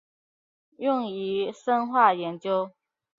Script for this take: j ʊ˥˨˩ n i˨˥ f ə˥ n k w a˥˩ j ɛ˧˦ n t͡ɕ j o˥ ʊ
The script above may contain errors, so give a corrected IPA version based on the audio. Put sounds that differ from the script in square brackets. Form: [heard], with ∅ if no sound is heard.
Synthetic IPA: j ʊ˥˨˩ [ŋ] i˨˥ [ʂ] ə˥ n [x] w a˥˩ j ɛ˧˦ n t͡ɕ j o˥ ʊ